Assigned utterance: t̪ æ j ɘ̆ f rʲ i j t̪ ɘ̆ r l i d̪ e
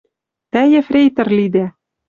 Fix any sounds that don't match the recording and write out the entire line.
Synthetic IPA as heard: t̪ æ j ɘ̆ f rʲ e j t̪ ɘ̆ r l i d̪ æ